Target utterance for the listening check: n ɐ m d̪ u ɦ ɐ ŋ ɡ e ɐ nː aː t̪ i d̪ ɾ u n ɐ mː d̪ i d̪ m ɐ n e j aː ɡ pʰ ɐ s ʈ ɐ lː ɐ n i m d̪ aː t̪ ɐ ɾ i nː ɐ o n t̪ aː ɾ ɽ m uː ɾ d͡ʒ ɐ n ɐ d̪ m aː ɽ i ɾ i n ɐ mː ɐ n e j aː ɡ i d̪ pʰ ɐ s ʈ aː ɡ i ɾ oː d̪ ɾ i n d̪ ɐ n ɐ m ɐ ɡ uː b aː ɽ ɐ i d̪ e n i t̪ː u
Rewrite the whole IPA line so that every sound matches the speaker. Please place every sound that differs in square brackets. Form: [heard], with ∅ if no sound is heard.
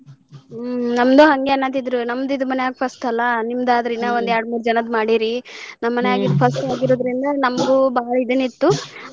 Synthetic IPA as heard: n ɐ m d̪ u ɦ ɐ ŋ ɡ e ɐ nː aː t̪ i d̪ ɾ u n ɐ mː d̪ i d̪ m ɐ n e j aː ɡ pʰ ɐ s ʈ ɐ lː ɐ n i m d̪ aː [d̪] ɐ ɾ i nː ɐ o n [d̪] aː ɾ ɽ m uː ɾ d͡ʒ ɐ n ɐ d̪ m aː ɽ i ɾ i n ɐ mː ɐ n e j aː ɡ i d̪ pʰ ɐ s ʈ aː ɡ i ɾ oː d̪ ɾ i n d̪ ɐ n ɐ m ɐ ɡ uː b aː [ɭ] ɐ i d̪ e n i t̪ː u